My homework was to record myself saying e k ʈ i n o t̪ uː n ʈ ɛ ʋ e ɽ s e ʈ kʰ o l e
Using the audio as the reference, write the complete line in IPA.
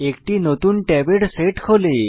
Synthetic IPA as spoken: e k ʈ i n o t̪ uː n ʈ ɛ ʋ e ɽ s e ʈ kʰ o l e